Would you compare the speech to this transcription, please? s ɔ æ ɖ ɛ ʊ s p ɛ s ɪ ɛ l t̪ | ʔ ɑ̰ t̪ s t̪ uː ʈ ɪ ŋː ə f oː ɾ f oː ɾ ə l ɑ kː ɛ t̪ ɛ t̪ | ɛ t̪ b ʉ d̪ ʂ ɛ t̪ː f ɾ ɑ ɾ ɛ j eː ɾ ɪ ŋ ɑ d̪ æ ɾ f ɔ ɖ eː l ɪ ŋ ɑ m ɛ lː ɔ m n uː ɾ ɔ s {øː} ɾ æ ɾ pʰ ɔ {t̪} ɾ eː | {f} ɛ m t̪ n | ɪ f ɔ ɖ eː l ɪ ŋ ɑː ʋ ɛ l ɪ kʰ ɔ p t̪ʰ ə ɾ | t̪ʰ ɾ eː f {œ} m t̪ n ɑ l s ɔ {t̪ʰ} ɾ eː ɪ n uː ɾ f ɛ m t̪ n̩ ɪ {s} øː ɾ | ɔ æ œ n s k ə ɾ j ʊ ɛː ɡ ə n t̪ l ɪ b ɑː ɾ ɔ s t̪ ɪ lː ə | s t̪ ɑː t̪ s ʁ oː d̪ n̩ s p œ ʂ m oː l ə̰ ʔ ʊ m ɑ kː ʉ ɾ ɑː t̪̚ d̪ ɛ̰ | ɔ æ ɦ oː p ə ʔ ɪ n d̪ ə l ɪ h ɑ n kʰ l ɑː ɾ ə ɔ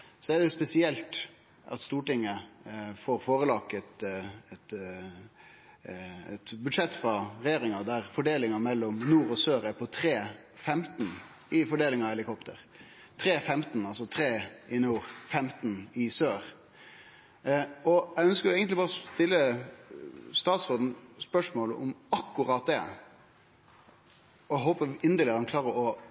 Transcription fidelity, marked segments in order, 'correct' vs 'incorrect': correct, incorrect: t̪ʰ, correct, incorrect: ɛ, correct, correct

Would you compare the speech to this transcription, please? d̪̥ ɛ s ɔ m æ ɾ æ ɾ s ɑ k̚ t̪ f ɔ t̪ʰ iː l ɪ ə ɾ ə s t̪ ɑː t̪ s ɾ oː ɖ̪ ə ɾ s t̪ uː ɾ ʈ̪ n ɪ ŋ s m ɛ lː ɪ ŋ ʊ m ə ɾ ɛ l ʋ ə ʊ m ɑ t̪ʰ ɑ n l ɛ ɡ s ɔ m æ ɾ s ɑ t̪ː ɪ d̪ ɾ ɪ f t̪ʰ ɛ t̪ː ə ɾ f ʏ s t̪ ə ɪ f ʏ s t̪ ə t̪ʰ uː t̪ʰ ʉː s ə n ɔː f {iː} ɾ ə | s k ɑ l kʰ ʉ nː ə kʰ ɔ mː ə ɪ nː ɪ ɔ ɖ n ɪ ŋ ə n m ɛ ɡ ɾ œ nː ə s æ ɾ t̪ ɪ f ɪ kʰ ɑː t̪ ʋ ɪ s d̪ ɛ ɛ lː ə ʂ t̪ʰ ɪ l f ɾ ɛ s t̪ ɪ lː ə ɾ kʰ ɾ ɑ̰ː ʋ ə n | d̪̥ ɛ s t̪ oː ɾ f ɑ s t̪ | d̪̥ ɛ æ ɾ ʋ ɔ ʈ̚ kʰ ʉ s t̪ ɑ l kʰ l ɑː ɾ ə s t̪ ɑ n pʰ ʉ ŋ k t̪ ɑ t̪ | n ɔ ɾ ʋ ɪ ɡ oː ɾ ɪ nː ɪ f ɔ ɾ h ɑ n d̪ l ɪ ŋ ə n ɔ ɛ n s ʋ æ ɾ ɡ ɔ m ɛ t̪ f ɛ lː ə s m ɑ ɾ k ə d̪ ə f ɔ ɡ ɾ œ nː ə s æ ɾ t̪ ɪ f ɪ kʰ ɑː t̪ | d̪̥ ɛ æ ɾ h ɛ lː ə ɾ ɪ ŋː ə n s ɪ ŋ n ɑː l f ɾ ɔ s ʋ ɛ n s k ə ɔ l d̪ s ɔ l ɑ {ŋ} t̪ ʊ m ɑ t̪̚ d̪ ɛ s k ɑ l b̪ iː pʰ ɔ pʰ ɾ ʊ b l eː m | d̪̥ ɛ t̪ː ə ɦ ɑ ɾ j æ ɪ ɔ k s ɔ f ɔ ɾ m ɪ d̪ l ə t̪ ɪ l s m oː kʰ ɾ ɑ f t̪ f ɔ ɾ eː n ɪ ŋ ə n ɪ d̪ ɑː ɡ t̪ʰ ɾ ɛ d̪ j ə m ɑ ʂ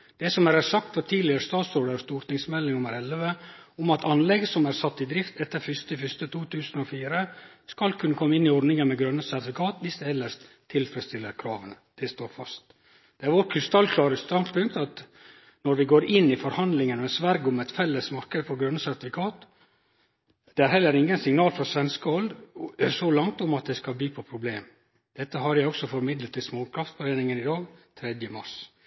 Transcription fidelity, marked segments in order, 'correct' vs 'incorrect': correct, correct

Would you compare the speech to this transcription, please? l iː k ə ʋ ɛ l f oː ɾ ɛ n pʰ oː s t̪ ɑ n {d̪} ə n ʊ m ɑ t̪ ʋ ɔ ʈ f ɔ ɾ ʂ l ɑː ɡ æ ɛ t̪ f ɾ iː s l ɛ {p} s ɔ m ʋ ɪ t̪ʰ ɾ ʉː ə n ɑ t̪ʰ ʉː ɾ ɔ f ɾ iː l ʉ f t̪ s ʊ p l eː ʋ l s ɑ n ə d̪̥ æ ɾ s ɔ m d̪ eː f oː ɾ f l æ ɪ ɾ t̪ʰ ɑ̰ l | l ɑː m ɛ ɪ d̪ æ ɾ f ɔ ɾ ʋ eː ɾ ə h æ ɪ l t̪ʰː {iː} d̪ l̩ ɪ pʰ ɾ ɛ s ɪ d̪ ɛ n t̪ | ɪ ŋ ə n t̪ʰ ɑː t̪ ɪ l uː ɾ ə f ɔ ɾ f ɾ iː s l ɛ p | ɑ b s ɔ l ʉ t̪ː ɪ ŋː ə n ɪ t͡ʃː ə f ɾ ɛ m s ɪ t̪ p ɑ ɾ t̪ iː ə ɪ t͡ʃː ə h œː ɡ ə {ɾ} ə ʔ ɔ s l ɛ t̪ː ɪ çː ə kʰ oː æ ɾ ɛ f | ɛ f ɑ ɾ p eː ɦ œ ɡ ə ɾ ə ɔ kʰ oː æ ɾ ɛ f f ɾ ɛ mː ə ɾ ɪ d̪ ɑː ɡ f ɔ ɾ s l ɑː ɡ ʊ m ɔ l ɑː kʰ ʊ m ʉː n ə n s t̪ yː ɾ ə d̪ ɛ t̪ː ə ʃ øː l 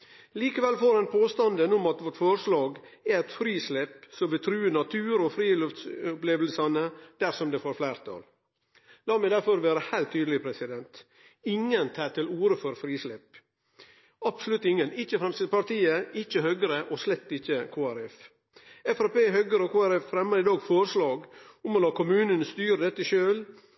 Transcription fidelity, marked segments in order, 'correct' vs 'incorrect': correct, correct, incorrect: yː, correct

